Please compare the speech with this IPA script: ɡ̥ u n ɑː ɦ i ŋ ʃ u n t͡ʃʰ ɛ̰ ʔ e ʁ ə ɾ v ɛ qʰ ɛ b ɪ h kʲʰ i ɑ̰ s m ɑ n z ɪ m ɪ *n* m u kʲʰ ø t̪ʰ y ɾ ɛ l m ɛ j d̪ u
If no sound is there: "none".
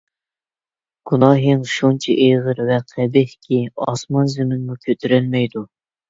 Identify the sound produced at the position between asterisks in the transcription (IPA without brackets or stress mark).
n